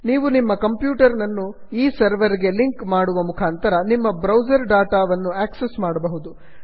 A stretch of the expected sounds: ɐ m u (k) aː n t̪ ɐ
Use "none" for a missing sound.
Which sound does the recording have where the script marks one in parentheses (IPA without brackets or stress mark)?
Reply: kʰ